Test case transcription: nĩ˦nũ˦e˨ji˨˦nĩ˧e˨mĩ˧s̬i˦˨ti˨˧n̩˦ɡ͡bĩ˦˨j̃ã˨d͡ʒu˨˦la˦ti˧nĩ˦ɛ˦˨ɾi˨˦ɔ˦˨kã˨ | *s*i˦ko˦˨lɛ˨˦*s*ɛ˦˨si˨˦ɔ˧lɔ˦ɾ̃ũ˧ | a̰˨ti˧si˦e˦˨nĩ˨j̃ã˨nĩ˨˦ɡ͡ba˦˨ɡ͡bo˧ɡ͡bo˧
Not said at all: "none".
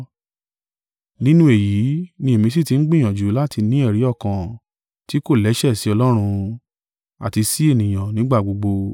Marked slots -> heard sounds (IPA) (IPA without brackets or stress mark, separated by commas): t, ʃ